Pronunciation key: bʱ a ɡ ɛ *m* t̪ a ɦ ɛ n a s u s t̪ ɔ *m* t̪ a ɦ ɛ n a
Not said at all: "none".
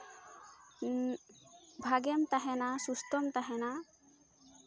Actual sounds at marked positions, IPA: m, m

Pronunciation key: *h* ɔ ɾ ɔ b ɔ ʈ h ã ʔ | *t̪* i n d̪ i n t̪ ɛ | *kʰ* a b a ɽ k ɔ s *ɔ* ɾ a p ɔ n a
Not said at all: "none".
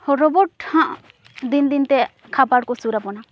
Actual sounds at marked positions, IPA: h, d̪, kʰ, u

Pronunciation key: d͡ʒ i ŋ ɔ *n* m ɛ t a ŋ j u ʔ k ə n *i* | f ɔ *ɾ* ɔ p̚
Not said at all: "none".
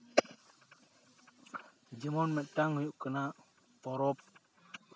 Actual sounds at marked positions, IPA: n, a, ɾ

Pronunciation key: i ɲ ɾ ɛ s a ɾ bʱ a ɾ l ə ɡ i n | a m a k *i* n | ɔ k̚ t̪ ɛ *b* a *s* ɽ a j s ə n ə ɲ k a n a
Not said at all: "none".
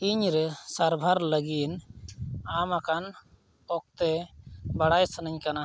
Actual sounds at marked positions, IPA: a, b, none

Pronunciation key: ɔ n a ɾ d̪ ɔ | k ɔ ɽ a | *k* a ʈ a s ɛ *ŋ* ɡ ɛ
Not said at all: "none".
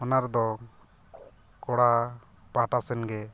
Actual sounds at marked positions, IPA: p, n

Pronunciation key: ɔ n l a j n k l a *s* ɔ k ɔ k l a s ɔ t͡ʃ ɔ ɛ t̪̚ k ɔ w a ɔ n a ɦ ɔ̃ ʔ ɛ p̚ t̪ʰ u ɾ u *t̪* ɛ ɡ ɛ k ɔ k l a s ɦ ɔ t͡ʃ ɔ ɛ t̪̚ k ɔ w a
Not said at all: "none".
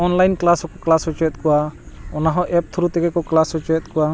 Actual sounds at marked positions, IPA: s, t̪

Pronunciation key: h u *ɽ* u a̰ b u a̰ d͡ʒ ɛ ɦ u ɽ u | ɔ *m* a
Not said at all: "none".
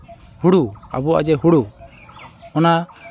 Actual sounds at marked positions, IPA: ɽ, n

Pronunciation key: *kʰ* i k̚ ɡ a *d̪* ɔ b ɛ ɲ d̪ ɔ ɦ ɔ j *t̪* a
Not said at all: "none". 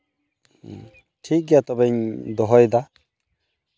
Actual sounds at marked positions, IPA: ʈʰ, t̪, d̪

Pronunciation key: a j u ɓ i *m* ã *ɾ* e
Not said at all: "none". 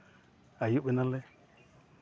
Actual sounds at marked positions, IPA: n, l

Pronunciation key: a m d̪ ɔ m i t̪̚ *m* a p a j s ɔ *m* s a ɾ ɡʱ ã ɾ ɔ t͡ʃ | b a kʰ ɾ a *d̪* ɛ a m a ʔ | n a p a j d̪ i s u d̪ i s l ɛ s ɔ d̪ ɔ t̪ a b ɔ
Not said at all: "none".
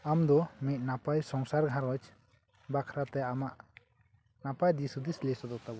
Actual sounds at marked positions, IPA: n, ŋ, t̪

